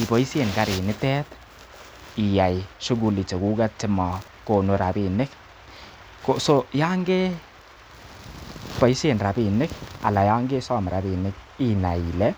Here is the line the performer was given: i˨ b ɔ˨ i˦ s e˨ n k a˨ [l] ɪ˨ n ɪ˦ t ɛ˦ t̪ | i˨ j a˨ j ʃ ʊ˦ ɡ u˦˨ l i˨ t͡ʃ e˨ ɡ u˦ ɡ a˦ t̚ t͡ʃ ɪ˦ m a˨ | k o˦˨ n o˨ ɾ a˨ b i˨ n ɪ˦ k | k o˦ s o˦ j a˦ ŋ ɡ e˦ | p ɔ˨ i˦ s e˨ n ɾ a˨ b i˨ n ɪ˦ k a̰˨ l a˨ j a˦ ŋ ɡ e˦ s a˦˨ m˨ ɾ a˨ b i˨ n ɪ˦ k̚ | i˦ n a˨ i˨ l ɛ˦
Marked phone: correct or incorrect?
incorrect